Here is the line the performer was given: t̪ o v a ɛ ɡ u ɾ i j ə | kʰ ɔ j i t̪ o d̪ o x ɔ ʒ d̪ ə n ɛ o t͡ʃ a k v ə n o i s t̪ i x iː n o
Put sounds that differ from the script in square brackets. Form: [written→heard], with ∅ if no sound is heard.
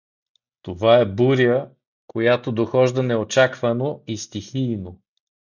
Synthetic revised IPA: t̪ o v a ɛ [ɡ→b] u ɾ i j ə | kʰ [ɔ→o] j [i→a] t̪ o d̪ o x ɔ ʒ d̪ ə n ɛ o t͡ʃ a k v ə n o i s t̪ i x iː n o